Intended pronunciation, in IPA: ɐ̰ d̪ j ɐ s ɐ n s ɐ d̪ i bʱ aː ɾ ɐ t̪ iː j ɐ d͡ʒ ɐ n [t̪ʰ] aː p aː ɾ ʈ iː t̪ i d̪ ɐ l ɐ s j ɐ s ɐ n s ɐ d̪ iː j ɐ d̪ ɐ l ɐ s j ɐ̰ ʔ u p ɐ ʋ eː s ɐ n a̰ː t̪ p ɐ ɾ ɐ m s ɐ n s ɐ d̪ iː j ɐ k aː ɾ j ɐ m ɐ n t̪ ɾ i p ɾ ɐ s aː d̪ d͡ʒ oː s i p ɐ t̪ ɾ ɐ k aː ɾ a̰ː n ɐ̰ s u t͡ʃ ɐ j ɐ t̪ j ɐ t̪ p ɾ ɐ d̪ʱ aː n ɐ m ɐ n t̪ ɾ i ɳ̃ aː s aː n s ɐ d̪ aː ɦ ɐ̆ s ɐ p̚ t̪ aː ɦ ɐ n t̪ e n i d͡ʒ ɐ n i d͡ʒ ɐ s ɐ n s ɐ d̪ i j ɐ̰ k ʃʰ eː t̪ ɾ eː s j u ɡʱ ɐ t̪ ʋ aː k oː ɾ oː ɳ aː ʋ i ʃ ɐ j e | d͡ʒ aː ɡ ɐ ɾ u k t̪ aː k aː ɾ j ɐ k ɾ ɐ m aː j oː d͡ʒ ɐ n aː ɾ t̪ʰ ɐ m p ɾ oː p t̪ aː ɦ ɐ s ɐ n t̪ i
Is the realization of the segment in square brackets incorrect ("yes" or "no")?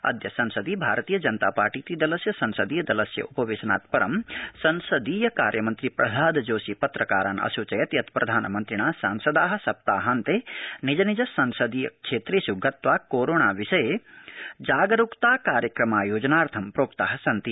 yes